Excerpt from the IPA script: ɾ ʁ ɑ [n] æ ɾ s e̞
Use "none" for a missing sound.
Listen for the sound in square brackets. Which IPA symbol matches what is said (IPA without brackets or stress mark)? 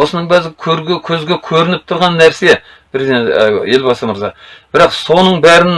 nː